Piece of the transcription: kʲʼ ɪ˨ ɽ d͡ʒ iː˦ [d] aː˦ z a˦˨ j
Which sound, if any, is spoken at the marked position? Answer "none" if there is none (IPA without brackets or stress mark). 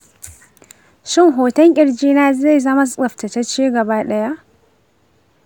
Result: n